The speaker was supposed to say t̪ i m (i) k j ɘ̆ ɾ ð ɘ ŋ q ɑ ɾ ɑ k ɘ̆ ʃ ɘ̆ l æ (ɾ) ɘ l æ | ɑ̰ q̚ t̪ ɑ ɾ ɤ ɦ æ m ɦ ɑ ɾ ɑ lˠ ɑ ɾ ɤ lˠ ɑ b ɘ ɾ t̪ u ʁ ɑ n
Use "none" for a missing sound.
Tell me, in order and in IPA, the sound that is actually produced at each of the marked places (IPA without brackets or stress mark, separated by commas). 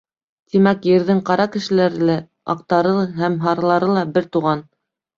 æ, ɾ